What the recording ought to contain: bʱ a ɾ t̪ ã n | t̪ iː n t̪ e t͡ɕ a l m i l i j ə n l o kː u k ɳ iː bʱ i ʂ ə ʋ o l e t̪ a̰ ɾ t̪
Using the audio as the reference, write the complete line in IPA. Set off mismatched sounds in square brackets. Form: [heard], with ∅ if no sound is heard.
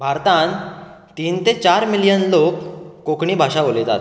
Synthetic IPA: bʱ a ɾ t̪ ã n | t̪ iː n t̪ e t͡ɕ a [ɾ] m i l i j ə n l o kː [o] k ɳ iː bʱ [a] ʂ [a] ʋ o l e t̪ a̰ [∅] t̪